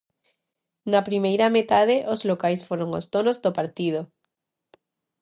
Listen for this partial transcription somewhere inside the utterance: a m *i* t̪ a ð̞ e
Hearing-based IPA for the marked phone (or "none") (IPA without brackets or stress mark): e